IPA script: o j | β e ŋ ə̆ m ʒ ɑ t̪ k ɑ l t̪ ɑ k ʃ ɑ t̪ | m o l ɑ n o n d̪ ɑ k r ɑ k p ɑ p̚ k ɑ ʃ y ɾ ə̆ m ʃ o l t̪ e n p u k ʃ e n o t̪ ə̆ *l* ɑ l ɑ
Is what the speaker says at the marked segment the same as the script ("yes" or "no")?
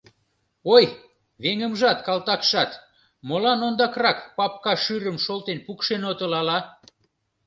yes